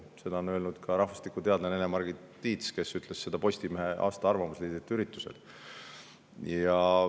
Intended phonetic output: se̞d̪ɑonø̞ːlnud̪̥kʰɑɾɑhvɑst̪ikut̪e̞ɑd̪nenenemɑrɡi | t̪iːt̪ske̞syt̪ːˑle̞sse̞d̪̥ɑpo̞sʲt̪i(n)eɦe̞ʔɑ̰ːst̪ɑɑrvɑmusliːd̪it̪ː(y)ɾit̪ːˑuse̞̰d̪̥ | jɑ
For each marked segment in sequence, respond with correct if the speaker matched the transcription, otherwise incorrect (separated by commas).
incorrect, correct